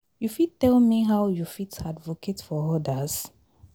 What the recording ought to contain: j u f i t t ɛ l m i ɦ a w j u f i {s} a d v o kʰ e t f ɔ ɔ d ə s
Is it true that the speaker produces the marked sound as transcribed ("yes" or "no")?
no